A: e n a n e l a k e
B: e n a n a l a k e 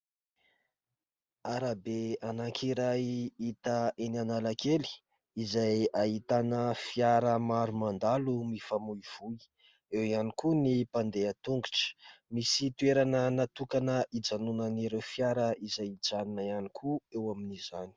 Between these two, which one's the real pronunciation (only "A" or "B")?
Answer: B